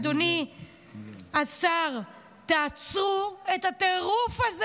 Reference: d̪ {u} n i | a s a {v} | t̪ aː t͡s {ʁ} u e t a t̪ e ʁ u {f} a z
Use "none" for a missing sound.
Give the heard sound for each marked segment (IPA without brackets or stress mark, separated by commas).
o, ʁ, ʁ, f